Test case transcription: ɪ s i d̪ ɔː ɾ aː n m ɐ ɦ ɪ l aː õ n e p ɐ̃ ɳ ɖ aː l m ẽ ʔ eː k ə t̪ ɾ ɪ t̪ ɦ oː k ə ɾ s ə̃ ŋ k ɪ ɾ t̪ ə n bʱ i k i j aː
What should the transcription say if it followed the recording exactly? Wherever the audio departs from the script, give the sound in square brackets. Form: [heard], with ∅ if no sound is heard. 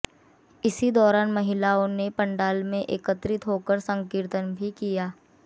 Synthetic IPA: ɪ s i d̪ ɔː ɾ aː n m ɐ ɦ ɪ l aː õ n e p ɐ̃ ɳ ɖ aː l m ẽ ʔ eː k ə t̪ ɾ ɪ t̪ ɦ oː k ə ɾ s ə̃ ŋ k ɪ ɾ t̪ ə n bʱ i k i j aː